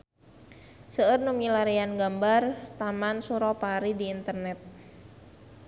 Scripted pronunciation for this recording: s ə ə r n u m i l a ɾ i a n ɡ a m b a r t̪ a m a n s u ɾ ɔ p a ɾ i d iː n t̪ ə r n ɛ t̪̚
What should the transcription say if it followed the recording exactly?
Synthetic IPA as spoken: s ə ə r n u m i l a ɾ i a n ɡ a m b a r t̪ a m a n s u ɾ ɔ p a ɾ i d iː n t̪ ə r n ɛ t̪̚